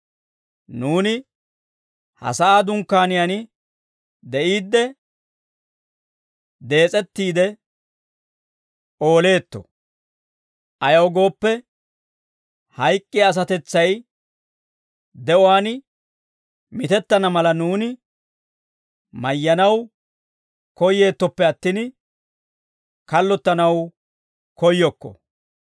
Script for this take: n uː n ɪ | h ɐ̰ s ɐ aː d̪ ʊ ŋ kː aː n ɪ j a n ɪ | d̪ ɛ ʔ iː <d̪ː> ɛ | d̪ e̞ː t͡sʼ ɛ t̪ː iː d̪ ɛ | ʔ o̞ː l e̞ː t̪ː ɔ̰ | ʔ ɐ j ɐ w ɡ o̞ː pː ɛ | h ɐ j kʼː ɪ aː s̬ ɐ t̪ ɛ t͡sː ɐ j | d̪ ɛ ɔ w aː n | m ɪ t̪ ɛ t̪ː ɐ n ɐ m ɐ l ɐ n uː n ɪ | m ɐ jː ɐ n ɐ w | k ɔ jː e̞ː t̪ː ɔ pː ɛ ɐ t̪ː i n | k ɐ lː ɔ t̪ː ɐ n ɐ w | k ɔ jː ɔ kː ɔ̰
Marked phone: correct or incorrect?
correct